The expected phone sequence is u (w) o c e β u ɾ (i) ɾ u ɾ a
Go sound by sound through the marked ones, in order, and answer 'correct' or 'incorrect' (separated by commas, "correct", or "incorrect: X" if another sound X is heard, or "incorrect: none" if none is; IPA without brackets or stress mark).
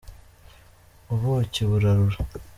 incorrect: β, incorrect: a